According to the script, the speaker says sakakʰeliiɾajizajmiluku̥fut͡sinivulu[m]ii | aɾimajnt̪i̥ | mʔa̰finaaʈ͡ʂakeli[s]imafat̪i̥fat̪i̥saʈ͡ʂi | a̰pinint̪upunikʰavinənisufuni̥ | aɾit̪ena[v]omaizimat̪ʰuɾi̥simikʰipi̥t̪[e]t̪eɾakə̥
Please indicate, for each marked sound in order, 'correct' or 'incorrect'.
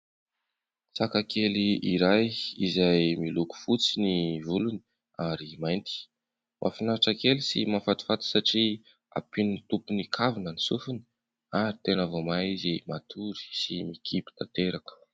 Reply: incorrect: n, correct, correct, incorrect: a

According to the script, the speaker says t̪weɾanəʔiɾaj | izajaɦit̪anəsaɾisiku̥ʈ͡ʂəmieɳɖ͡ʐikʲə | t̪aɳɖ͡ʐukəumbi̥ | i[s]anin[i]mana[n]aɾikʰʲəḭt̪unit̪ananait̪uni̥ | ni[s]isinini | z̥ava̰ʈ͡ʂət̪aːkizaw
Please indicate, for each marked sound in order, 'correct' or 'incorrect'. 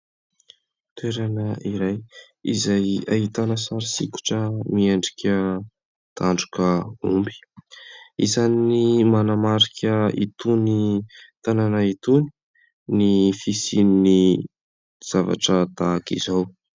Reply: incorrect: z, correct, incorrect: m, incorrect: f

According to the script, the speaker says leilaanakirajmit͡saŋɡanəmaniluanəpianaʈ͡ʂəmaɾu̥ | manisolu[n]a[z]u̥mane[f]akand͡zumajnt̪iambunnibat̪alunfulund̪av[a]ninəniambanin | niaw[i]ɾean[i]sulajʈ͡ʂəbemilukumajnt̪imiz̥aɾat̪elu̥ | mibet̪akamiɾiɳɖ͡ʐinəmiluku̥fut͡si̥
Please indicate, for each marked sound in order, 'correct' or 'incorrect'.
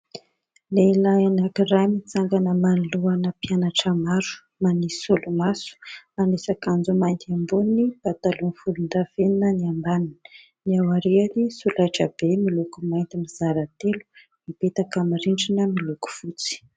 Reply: incorrect: m, incorrect: s, incorrect: s, incorrect: e, incorrect: a, correct

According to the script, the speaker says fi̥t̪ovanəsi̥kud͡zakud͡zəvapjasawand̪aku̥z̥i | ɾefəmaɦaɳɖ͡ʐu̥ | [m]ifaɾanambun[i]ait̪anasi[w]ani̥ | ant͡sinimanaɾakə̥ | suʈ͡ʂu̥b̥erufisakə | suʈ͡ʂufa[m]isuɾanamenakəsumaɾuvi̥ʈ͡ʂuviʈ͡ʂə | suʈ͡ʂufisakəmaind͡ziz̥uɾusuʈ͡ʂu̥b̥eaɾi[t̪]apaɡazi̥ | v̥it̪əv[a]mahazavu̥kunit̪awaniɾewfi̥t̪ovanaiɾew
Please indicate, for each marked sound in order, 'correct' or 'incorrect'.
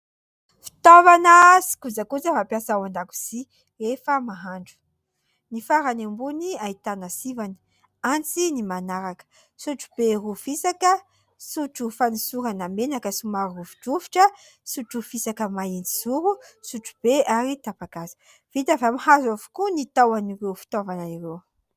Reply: incorrect: n, correct, incorrect: v, incorrect: n, correct, correct

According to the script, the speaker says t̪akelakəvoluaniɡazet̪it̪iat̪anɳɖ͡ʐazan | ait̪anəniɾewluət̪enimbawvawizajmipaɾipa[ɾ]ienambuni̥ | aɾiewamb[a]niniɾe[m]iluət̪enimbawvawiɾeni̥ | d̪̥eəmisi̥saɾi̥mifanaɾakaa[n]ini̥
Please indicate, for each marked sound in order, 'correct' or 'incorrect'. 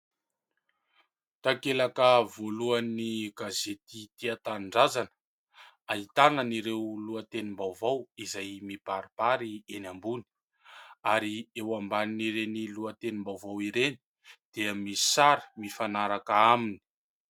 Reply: correct, correct, incorrect: n, incorrect: m

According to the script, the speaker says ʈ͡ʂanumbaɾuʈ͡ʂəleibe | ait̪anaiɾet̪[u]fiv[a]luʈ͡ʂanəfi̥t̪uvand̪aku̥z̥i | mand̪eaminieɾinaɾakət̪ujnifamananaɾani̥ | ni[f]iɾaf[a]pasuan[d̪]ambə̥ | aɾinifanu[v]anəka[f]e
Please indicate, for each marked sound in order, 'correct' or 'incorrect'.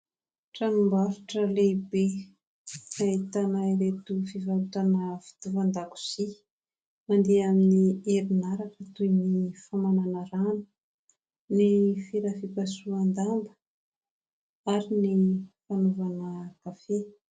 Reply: correct, correct, correct, incorrect: i, correct, correct, correct

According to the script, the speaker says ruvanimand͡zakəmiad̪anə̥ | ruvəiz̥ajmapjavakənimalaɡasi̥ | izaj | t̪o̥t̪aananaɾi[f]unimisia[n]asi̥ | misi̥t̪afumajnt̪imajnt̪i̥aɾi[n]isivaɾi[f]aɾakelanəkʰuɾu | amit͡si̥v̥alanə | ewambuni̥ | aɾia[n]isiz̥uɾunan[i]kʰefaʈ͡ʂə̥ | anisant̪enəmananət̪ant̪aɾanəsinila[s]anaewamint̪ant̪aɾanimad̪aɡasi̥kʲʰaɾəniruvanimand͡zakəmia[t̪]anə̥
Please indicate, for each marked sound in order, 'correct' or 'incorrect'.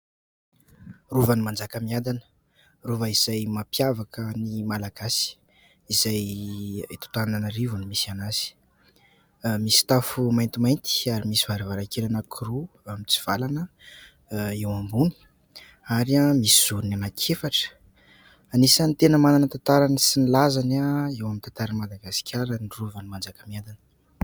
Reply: incorrect: v, correct, incorrect: m, incorrect: v, incorrect: m, incorrect: a, incorrect: z, incorrect: d̪

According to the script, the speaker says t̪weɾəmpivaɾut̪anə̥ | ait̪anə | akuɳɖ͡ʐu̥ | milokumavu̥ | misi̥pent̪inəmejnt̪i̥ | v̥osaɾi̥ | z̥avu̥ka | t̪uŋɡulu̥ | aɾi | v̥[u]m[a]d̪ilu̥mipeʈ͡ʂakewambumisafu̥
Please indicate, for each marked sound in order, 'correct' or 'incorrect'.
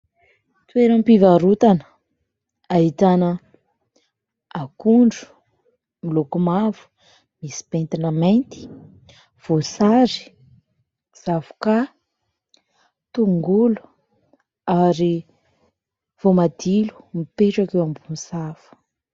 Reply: incorrect: o, correct

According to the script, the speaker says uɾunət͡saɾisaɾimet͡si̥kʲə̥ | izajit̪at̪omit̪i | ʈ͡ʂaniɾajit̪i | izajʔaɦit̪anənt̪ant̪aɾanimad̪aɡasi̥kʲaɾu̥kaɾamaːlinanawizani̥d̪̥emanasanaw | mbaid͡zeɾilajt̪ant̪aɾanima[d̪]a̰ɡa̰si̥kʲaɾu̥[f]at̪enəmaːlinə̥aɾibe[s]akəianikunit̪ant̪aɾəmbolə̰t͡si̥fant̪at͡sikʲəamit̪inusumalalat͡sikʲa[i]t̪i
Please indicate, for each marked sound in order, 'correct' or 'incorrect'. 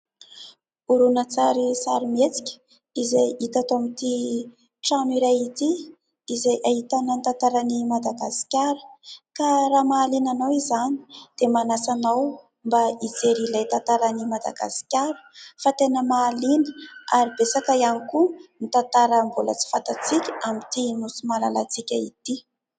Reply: correct, correct, correct, correct

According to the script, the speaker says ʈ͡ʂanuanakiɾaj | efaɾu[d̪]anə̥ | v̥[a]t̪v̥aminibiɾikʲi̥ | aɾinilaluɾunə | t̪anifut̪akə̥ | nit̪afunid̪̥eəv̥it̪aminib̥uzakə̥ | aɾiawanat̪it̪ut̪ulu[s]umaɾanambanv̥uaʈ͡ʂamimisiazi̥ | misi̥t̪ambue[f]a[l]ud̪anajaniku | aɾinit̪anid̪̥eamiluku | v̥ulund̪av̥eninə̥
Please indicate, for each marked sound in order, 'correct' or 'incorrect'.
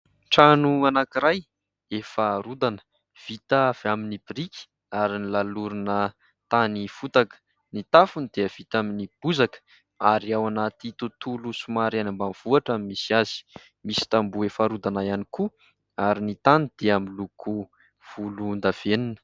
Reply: correct, incorrect: i, correct, correct, incorrect: ɾ

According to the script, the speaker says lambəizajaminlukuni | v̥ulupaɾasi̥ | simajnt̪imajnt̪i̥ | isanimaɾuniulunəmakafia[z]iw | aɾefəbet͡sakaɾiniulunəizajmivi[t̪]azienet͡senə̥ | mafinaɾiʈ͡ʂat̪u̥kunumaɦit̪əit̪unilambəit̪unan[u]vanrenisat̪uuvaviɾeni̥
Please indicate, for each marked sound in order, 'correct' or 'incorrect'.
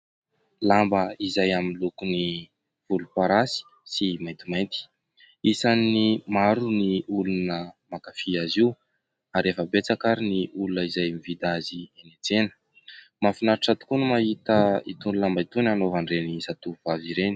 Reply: correct, incorrect: d̪, incorrect: o

